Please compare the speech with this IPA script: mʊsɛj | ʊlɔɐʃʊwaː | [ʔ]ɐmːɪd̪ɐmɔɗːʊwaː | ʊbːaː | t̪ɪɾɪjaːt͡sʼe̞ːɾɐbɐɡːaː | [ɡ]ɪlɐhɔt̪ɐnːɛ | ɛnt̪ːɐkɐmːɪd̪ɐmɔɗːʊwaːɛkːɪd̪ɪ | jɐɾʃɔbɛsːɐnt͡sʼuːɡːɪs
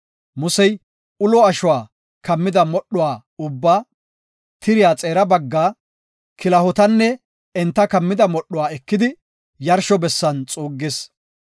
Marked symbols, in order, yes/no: no, no

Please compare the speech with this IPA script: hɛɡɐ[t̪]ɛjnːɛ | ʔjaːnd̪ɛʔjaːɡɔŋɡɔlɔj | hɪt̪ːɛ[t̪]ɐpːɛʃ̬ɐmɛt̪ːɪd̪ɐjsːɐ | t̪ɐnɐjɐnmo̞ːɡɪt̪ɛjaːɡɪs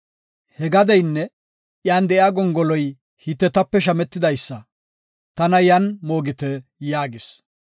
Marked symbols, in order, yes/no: no, yes

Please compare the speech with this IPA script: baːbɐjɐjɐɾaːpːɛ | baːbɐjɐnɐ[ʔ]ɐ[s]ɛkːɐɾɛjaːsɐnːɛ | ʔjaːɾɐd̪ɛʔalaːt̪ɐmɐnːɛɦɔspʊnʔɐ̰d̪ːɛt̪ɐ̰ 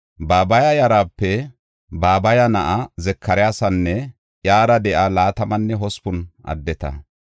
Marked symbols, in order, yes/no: yes, no

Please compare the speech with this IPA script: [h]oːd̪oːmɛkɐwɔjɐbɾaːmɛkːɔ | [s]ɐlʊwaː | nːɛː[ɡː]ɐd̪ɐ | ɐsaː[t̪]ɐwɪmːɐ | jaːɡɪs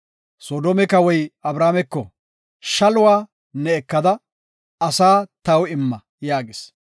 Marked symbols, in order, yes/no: no, no, no, yes

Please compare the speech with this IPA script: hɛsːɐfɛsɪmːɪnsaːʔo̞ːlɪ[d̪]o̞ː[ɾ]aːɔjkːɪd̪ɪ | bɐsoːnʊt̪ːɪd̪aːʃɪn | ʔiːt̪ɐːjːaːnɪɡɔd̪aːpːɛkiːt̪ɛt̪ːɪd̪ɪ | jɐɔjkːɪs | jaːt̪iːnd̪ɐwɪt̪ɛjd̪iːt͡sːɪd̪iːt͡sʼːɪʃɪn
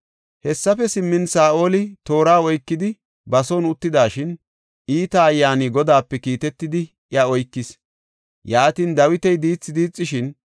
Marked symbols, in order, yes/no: no, yes

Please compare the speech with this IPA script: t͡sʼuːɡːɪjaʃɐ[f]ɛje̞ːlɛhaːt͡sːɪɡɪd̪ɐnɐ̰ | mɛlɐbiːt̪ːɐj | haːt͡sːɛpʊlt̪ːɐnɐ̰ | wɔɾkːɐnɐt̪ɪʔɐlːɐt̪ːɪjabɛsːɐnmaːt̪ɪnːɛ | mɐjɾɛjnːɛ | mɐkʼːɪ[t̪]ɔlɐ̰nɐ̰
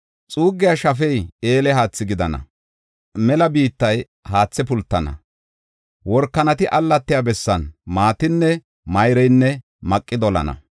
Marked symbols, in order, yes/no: yes, no

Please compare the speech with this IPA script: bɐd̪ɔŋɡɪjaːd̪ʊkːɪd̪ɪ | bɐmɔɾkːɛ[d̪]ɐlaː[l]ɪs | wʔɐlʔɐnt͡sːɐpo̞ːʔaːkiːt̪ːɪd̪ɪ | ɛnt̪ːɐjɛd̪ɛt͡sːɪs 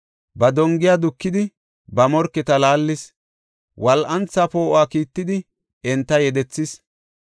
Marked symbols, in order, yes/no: no, no

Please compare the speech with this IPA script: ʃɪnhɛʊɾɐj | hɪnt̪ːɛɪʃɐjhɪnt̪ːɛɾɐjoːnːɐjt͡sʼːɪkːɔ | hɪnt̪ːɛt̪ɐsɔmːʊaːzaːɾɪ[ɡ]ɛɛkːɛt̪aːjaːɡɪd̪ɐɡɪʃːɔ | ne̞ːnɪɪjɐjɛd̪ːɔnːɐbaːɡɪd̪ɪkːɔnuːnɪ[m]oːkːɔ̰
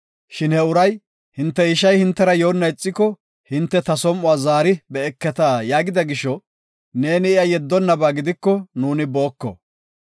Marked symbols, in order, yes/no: no, no

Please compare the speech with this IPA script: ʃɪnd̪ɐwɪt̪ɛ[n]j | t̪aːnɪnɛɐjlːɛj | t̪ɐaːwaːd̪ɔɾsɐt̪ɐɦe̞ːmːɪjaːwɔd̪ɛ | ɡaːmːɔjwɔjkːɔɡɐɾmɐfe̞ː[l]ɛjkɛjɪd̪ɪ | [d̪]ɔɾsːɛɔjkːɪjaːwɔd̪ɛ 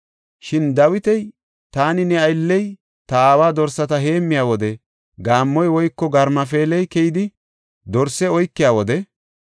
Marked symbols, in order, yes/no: no, yes, yes

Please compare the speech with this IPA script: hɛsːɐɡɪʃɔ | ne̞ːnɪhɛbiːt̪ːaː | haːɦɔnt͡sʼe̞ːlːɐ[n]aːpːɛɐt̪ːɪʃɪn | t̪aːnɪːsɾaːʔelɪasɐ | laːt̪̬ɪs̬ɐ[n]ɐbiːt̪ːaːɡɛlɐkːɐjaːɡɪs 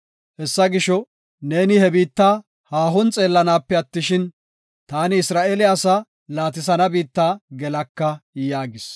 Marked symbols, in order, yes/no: yes, yes

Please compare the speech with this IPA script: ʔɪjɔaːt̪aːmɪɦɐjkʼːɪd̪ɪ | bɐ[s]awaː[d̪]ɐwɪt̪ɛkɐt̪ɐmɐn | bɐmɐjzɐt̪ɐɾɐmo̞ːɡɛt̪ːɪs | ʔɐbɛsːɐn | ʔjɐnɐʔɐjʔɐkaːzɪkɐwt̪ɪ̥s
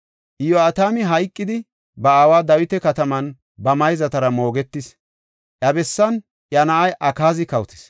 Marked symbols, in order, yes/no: no, yes

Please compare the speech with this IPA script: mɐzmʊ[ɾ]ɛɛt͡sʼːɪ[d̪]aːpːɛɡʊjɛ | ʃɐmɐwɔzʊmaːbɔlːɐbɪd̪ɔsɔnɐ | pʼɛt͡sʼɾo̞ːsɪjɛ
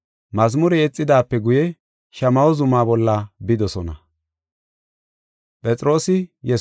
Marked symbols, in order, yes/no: yes, yes

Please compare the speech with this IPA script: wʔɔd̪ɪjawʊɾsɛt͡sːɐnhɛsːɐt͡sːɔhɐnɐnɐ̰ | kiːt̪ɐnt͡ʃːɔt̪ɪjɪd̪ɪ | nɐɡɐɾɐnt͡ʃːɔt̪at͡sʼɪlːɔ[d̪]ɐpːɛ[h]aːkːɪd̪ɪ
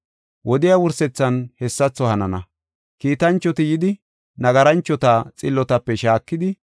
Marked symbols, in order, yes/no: no, no

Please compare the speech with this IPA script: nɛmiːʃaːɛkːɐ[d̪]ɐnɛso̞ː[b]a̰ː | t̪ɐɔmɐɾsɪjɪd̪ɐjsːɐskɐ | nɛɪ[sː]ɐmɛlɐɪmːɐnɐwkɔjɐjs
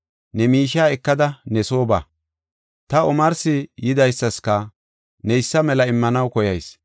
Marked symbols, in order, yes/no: yes, yes, yes

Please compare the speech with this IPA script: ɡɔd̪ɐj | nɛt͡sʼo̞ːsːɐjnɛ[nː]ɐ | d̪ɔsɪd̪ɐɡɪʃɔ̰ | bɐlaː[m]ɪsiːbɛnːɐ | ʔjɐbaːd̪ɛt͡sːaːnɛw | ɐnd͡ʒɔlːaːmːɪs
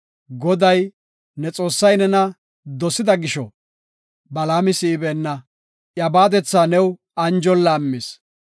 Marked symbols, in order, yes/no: no, yes

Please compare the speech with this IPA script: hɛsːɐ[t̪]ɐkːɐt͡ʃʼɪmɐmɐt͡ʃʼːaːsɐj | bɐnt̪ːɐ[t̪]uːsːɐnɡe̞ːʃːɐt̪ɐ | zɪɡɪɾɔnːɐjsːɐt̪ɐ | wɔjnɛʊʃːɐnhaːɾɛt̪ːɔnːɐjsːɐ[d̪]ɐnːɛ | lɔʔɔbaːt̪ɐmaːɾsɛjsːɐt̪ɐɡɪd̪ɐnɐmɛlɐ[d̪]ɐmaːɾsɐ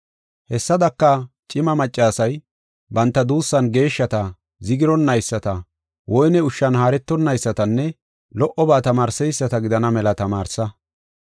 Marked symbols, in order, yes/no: no, no, no, no

